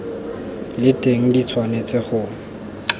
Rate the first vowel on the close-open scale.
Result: close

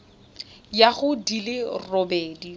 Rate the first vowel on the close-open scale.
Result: open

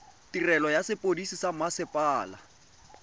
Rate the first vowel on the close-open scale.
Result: close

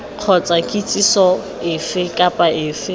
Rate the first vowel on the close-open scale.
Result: mid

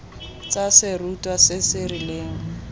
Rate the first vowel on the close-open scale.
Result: open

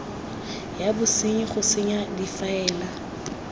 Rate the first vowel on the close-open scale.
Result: open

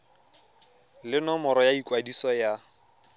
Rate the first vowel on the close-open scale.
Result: close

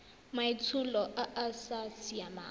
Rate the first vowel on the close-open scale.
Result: open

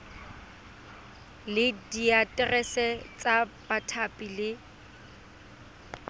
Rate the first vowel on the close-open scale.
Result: close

